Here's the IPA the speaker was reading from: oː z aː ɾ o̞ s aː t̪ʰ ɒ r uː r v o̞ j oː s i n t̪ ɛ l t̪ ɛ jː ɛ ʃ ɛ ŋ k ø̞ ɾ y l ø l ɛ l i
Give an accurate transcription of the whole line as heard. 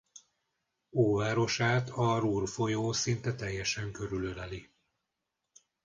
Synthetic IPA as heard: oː v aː ɾ o̞ ʃ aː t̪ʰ ɒ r uː r f o̞ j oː s i n t̪ ɛ t̪ ɛ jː ɛ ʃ ɛ ŋ k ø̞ ɾ y l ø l ɛ l i